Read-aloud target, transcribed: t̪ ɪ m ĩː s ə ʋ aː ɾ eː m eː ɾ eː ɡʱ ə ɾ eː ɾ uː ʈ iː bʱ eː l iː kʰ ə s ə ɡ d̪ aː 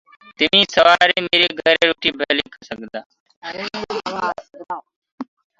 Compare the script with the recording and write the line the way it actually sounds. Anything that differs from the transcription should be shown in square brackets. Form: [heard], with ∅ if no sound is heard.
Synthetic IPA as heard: t̪ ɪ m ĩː s ə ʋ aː ɾ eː m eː ɾ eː ɡʱ ə ɾ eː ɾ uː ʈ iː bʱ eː l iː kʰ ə s ə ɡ d̪ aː

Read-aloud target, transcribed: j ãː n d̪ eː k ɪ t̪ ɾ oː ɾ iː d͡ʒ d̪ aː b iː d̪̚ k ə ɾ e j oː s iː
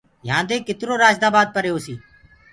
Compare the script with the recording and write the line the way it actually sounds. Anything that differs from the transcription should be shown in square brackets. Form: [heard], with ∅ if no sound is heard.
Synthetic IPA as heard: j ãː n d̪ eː k ɪ t̪ ɾ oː ɾ [aː] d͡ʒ d̪ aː b [aː] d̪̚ [p] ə ɾ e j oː s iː

